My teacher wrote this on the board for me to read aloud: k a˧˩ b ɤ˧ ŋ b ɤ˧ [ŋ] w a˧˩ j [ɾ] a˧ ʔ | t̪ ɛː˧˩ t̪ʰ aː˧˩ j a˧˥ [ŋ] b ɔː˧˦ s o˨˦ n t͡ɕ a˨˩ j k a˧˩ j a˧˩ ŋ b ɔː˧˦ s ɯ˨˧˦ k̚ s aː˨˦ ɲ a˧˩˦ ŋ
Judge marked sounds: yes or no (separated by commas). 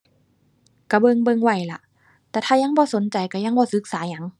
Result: yes, no, yes